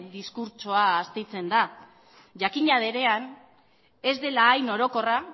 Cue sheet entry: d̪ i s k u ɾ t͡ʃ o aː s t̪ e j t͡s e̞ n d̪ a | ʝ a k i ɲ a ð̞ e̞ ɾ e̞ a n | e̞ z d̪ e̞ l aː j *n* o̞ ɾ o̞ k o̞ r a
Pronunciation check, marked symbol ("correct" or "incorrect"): correct